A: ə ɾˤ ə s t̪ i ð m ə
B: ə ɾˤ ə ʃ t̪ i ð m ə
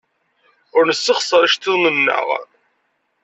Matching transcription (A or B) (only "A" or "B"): B